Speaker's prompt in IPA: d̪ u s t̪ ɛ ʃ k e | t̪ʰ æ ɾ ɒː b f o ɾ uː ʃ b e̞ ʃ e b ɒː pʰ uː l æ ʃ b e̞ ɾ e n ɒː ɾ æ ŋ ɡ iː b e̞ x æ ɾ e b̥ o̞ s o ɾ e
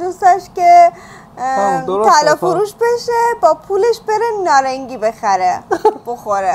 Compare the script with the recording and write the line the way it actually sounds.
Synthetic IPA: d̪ u s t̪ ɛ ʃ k e | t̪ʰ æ l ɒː f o ɾ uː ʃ b e̞ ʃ e b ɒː pʰ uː l e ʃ b e̞ ɾ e n ɒː ɾ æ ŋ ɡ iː b e̞ x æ ɾ e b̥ o̞ x o ɾ e

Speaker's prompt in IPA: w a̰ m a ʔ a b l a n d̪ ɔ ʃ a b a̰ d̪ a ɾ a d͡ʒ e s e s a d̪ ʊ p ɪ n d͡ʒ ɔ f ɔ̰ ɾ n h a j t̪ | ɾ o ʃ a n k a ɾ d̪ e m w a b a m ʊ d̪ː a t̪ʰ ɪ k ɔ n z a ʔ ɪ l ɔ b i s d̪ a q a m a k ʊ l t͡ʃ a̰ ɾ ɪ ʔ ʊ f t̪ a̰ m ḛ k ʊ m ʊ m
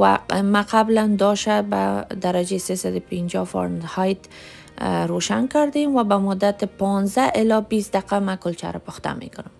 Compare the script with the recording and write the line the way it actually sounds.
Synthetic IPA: w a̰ m a q a b l a n d̪ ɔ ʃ a b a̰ d̪ a ɾ a d͡ʒ e s e s a d̪ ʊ p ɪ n d͡ʒ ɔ f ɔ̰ ɾ n h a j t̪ | ɾ o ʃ a n k a ɾ d̪ e m w a b a m ʊ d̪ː a t̪ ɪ p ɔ n z a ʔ ɪ l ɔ b i s d̪ a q a m a k ʊ l t͡ʃ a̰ ɾ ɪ p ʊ x t̪ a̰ m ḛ k ʊ n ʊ m

